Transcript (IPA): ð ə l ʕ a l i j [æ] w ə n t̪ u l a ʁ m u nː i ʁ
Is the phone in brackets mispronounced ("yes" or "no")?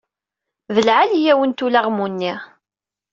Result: no